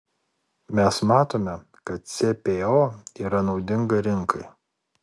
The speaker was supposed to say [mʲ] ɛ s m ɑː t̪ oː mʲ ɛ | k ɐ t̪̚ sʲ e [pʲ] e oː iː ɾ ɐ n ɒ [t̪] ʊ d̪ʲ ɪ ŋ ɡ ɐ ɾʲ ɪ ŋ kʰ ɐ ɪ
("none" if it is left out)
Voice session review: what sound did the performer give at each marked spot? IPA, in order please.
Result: mʲ, pʲ, none

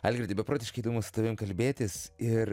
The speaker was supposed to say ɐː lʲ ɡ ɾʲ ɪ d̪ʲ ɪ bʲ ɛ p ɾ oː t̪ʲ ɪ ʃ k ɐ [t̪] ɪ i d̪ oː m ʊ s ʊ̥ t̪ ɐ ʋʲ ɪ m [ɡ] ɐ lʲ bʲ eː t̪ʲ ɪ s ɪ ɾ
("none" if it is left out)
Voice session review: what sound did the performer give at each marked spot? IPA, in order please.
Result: none, k

